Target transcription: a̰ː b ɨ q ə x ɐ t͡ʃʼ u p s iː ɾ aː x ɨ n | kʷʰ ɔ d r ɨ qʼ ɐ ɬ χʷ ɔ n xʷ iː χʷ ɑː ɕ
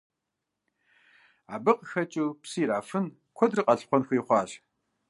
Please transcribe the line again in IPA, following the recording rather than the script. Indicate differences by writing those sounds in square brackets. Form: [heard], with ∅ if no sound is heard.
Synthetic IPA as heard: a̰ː b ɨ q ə x ɐ t͡ʃʼ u p s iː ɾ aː [f] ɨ n | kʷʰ ɔ d r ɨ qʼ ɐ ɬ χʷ ɔ n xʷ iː χʷ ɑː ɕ